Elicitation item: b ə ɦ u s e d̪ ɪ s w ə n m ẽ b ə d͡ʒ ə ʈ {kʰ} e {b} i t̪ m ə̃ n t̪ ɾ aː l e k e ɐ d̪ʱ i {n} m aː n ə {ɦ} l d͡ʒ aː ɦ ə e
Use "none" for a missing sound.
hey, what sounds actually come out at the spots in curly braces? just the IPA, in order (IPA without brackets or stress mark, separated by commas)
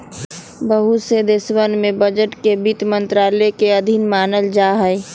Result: k, b, n, none